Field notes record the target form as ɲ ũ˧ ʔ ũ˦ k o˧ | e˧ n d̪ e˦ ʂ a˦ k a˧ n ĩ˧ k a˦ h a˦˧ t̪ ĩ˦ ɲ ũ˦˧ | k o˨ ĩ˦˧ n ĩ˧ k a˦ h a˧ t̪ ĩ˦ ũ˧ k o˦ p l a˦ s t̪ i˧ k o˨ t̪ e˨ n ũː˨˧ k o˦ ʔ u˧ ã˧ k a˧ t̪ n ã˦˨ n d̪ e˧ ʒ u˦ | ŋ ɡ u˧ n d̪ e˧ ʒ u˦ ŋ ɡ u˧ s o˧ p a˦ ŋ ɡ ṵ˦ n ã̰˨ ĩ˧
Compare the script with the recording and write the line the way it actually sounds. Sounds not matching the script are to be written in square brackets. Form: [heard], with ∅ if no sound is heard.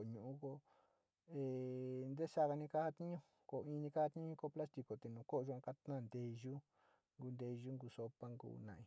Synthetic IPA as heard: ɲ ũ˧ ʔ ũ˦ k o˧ | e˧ n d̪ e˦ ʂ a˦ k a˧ n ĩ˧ k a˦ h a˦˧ t̪ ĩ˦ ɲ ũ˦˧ | k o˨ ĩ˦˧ n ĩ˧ k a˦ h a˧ t̪ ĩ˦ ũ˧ k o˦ p l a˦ s t̪ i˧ k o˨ t̪ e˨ n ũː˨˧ k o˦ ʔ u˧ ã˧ k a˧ t̪ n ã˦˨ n d̪ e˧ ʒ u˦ | ŋ ɡ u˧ n d̪ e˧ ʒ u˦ ŋ ɡ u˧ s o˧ p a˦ ŋ ɡ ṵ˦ n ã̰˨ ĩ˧